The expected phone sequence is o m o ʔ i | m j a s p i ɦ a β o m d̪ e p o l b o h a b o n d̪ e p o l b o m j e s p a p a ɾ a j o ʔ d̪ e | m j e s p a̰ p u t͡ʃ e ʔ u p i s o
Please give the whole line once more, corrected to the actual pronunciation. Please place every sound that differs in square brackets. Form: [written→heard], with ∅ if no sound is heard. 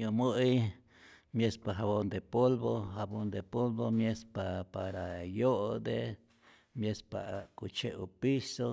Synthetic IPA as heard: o m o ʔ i | m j [a→e] s p [i→a] ɦ a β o [m→n] d̪ e p o l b o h a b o n d̪ e p o l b o m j e s p a p a ɾ a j o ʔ d̪ e | m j e s p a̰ [p→k] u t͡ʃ e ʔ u p i s o